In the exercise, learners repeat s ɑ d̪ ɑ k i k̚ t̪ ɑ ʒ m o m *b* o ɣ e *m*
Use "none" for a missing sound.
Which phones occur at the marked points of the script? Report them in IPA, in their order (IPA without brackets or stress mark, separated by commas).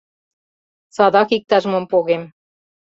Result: p, m